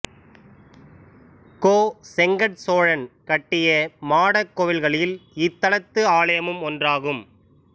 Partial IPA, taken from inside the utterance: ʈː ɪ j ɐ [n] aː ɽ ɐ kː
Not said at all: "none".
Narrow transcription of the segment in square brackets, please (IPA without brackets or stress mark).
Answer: m